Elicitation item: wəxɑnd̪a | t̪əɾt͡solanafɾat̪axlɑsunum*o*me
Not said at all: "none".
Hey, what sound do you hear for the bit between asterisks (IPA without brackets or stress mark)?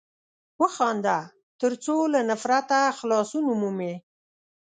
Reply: u